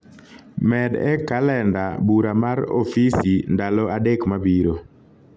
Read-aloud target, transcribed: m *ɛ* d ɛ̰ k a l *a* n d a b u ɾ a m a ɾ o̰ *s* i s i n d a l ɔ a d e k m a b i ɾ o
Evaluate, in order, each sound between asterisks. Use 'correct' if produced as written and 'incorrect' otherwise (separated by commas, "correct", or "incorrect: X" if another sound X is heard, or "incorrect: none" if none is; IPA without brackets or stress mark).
correct, incorrect: ɛ, incorrect: f